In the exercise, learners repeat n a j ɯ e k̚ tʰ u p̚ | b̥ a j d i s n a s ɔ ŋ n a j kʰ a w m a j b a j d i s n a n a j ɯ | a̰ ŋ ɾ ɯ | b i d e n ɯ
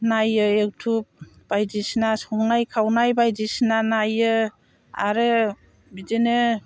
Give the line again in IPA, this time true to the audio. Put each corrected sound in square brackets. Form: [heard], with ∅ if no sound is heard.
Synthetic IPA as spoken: n a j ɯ e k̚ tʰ u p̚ | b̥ a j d i s n a s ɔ ŋ n a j kʰ a w [n] a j b a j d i s n a n a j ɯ | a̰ [∅] ɾ ɯ | b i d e n ɯ

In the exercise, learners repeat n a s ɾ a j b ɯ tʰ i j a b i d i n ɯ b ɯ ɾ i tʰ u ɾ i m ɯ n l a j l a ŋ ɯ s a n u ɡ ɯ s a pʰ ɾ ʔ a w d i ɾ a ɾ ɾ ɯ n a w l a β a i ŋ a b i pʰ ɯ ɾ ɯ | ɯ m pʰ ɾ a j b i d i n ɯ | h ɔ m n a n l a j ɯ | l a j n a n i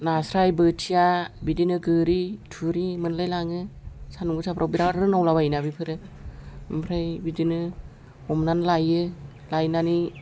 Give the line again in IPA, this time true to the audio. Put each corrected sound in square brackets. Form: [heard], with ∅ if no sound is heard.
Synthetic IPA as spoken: n a s ɾ a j b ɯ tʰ i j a b i d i n ɯ [ɡ] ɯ ɾ i tʰ u ɾ i m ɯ n l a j l a ŋ ɯ s a n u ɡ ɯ s a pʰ ɾ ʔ a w [b] i ɾ a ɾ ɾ ɯ n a w l a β a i [n] a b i pʰ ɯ ɾ ɯ | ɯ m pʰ ɾ a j b i d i n ɯ | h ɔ m n a n l a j ɯ | l a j n a n i

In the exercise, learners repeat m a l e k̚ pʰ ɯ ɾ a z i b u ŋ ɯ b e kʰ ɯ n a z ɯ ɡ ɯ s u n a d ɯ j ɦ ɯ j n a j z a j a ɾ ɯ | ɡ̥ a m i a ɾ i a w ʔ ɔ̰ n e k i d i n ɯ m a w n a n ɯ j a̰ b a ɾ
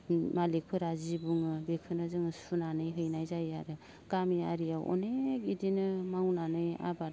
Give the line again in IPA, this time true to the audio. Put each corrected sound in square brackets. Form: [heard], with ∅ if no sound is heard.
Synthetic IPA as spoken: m a l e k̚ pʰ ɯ ɾ a z i b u ŋ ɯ b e kʰ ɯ n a z ɯ [ŋ] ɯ s u n a [n] ɯ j ɦ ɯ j n a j z a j a ɾ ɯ | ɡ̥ a m i a ɾ i a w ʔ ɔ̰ n e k i d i n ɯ m a w n a n ɯ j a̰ b a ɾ

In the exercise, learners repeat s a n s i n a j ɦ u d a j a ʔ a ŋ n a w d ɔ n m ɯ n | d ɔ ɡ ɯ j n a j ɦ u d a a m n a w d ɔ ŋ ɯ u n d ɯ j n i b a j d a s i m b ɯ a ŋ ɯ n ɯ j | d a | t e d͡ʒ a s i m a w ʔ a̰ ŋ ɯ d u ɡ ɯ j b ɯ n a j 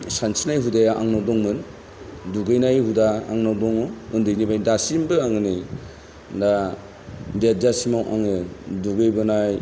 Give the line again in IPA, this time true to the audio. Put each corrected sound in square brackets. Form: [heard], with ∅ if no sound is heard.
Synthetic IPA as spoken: s a n s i n a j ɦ u d a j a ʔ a ŋ n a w d ɔ [ŋ] m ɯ n | d [u] ɡ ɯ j n a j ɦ u d a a [ŋ] n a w d ɔ ŋ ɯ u n d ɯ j n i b a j d a s i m b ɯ a ŋ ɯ n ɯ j | d a | [d] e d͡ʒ a s i m a w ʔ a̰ ŋ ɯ d u ɡ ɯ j b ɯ n a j

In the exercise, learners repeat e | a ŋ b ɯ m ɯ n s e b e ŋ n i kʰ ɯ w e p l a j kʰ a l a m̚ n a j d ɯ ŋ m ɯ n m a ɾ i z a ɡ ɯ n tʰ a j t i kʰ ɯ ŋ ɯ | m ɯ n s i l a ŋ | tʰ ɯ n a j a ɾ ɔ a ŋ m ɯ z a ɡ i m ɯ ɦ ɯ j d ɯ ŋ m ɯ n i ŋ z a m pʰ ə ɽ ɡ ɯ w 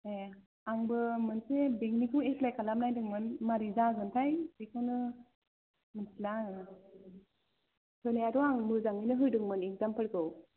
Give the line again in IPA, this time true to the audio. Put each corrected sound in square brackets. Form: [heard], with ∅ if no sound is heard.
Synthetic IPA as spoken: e | a ŋ b ɯ m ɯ n s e b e ŋ n i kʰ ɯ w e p l a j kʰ a l a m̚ n a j d ɯ ŋ m ɯ n m a ɾ i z a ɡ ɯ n tʰ a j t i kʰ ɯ [n] ɯ | m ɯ n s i l a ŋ | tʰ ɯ n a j a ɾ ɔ a ŋ m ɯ z a [ŋ] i [n] ɯ ɦ ɯ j d ɯ ŋ m ɯ n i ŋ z a m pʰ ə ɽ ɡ ɯ w

